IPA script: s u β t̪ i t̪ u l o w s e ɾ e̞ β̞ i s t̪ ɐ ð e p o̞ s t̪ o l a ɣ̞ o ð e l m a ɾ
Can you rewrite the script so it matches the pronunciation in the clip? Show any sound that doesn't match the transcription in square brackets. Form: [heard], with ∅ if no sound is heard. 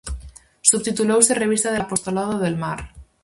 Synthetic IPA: s u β t̪ i t̪ u l o w s e [r] e̞ β̞ i s t̪ [a] ð e p o̞ s t̪ o l a [ð̞] o ð e l m a ɾ

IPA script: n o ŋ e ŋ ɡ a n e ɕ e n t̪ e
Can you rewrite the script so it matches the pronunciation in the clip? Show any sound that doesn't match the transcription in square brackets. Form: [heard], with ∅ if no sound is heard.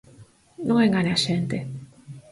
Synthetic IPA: n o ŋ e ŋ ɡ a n [a] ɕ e n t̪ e

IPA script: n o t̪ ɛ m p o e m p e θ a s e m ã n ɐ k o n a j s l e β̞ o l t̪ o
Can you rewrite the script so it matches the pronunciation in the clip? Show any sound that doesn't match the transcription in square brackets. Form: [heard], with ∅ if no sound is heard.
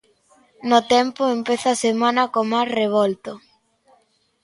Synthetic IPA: n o t̪ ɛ m p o e m p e θ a s e m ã n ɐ k o [m] a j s [r] e β̞ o l t̪ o

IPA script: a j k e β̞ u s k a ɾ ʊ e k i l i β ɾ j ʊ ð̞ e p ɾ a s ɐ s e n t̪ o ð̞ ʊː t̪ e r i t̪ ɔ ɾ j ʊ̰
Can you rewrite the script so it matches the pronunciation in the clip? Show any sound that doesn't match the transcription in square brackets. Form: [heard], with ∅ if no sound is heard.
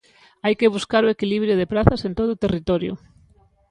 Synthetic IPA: a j k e β̞ u s k a ɾ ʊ e k i l i β ɾ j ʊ ð̞ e p ɾ a [θ] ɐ s e n t̪ o ð̞ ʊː t̪ e r i t̪ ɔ ɾ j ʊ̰

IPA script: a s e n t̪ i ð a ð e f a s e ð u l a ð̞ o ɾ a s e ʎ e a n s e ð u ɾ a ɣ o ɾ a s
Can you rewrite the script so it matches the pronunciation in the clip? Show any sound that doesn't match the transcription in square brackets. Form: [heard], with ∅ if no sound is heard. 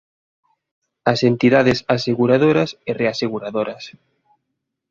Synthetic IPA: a s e n t̪ i ð a ð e [s] a s e [ɣ] u [ɾ] a ð̞ o ɾ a s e [r] e a [∅] s e [ɣ] u ɾ a [ð] o ɾ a s

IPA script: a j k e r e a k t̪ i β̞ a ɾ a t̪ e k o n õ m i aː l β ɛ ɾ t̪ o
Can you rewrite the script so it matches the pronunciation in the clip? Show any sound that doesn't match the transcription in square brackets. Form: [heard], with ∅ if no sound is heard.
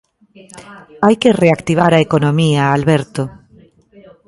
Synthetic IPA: a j k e r e a k t̪ i β̞ a ɾ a [∅] e k o n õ m i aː l β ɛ ɾ t̪ o

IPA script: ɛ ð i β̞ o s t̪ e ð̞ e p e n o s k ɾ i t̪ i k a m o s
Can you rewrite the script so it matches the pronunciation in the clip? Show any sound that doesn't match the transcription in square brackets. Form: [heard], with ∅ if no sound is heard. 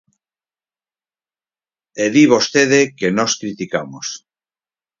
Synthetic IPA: [e] ð i β̞ o s t̪ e ð̞ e [k] e n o s k ɾ i t̪ i k a m o s

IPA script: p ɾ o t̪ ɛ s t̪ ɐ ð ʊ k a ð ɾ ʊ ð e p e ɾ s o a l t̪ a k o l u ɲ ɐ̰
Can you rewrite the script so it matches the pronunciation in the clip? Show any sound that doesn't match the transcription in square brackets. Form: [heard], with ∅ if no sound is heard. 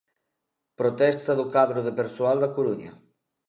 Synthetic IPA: p ɾ o t̪ ɛ s t̪ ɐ ð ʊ k a ð ɾ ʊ ð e p e ɾ s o a l [d̪] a k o [ɾ] u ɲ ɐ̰

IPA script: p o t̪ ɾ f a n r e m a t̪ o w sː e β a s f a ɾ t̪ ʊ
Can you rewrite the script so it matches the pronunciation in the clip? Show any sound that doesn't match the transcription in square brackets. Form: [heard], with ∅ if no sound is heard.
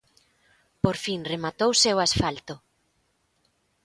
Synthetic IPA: p o [∅] ɾ f [i] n r e m a t̪ o w [s] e [w] a s f a [l] t̪ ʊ

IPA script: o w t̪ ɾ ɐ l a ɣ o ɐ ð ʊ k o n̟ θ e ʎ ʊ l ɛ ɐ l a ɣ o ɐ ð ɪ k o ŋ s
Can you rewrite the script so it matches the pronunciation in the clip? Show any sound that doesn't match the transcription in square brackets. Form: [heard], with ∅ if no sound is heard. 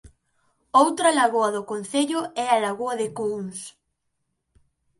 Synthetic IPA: o w t̪ ɾ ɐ l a ɣ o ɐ ð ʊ k o n̟ θ e ʎ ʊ [∅] ɛ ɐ l a ɣ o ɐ ð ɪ k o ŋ s

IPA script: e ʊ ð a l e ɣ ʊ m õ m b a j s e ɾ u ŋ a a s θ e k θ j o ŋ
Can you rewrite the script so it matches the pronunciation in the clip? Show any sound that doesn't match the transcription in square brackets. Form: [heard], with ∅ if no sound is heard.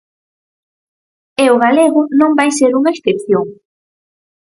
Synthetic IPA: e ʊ [ɣ] a l e ɣ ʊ [n] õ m b a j s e ɾ u ŋ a [e] s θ e [p] θ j o ŋ

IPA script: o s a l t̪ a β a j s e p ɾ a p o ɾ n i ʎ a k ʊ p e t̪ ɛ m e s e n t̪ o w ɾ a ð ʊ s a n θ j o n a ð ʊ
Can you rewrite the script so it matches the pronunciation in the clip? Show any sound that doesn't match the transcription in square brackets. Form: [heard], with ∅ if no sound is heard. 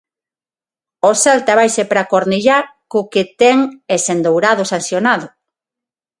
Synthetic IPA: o s a l t̪ a β a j s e p ɾ a [k] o ɾ n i ʎ a k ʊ [k] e t̪ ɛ [ŋ] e s e n [d̪] o w ɾ a ð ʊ s a n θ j o n a ð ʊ

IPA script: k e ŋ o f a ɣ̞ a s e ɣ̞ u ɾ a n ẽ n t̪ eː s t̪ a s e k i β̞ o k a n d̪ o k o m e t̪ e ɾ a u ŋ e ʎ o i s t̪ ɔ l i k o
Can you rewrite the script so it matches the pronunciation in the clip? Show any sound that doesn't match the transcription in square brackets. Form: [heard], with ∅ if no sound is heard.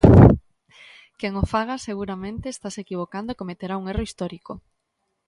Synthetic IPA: k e ŋ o f a ɣ̞ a s e ɣ̞ u ɾ a [m] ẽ n t̪ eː s t̪ a s e k i β̞ o k a n d̪ o k o m e t̪ e ɾ a u ŋ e [r] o i s t̪ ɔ [ɾ] i k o

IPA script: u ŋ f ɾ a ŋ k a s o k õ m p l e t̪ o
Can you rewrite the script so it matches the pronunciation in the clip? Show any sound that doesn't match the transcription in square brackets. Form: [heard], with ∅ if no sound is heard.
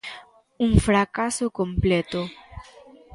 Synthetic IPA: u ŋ f ɾ a [∅] k a s o k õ m p l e t̪ o

